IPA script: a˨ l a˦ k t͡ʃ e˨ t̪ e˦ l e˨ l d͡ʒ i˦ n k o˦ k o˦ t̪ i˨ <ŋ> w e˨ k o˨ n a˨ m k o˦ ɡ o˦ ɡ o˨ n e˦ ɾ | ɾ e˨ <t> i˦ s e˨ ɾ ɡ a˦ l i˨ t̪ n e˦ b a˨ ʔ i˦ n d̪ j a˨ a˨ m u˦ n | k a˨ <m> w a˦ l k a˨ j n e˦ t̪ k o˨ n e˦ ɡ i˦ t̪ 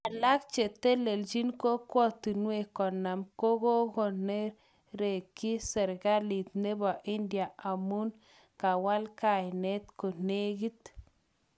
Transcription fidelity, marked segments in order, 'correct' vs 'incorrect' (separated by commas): incorrect, incorrect, incorrect